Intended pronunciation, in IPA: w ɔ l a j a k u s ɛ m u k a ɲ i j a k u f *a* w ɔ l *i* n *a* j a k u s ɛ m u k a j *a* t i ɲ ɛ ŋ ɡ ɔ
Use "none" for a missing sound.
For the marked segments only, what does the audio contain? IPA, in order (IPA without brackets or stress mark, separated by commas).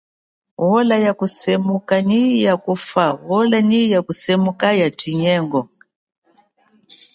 a, a, i, a